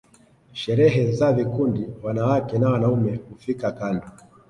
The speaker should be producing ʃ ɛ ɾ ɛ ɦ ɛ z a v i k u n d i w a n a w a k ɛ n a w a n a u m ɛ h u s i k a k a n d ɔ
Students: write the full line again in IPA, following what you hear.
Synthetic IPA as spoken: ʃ ɛ ɾ ɛ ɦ ɛ z a v i k u n d i w a n a w a k ɛ n a w a n a u m ɛ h u f i k a k a n d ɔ